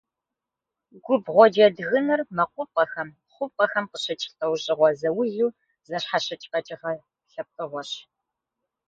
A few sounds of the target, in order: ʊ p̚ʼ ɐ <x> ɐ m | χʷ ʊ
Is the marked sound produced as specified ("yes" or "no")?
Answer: yes